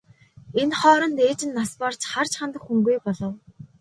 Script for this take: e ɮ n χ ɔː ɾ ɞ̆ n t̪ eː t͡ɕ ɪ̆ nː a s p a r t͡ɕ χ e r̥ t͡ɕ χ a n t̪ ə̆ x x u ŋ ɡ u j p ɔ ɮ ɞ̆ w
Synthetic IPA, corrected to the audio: e n χ ɔː ɾ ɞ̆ n t̪ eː t͡ɕ ɪ̆ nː a s p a r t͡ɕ χ a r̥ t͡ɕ χ a n t̪ ə̆ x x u ŋ ɡ u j p ɔ ɮ ɞ̆ w